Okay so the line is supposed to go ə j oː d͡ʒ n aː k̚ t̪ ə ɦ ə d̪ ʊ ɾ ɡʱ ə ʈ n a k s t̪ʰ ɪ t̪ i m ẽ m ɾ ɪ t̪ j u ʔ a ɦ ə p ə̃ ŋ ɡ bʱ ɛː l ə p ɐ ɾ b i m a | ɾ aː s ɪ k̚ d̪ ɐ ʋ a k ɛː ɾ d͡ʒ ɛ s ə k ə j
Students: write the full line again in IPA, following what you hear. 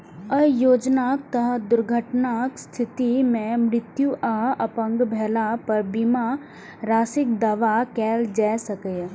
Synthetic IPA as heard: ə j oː d͡ʒ n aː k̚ t̪ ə ɦ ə d̪ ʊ ɾ ɡʱ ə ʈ n a k s t̪ʰ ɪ t̪ i m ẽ m ɾ ɪ t̪ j u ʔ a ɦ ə p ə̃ ŋ ɡ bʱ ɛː l a p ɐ ɾ b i m a | ɾ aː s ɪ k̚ d̪ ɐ ʋ a k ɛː l d͡ʒ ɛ s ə k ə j